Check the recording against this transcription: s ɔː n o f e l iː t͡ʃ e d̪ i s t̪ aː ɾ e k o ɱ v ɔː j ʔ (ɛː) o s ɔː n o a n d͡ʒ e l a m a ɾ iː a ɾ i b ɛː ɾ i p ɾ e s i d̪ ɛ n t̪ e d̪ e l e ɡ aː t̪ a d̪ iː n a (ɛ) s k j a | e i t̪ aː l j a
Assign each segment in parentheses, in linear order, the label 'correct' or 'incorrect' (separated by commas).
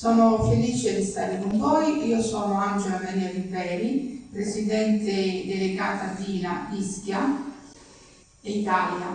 incorrect, incorrect